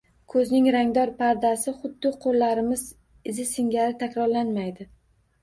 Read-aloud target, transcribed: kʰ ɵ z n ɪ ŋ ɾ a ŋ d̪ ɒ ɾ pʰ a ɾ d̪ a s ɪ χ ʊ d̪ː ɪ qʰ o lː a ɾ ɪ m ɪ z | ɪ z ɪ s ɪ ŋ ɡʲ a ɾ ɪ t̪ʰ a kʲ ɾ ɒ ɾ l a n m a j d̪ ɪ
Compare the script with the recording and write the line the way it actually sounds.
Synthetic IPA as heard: kʰ ɵ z n ɪ ŋ ɾ a ŋ d̪ ɒ ɾ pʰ a ɾ d̪ a s ɪ χ ʊ d̪ː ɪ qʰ o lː a ɾ ɪ m ɪ z | ɪ z ɪ s ɪ ŋ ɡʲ a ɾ ɪ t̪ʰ a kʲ ɾ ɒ ɾ l a n m a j d̪ ɪ